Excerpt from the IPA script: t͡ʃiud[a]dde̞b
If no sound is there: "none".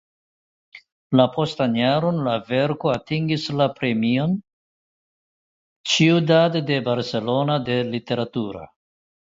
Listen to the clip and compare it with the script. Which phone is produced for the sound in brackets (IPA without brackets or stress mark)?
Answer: a